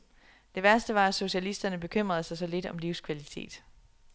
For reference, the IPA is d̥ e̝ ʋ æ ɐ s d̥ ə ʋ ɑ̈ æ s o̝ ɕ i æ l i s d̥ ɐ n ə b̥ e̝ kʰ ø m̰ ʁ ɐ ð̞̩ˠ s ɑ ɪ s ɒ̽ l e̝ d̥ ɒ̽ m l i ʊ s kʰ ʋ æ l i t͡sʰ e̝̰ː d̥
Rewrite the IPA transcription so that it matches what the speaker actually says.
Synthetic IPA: d̥ e̝ ʋ æ ɐ s d̥ ə ʋ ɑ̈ æ s o̝ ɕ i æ l i s d̥ ɐ n ə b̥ e̝ kʰ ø m̰ ʁ ɐ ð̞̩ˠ s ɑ ɪ s ɒ̽ l e̝ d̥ ɒ̽ m l i ʊ s kʰ ʋ æ l i t͡sʰ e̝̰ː d̥